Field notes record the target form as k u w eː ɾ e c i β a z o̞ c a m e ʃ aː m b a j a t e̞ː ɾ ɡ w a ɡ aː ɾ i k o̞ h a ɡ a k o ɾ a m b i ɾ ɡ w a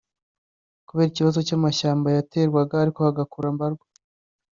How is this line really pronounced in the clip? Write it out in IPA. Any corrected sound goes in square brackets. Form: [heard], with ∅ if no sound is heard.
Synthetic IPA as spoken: k u [β] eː ɾ [i] c i β a z o̞ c a m [a] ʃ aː m b a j a t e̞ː ɾ ɡ w a ɡ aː ɾ i k o̞ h a ɡ a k [u] ɾ a m b [a] ɾ ɡ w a